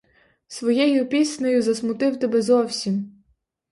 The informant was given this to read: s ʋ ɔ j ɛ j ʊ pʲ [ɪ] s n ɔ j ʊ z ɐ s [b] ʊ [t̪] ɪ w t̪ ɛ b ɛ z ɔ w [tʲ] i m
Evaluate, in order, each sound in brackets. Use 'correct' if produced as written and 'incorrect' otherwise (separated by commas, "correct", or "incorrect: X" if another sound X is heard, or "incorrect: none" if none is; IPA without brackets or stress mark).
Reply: incorrect: i, incorrect: m, correct, incorrect: sʲ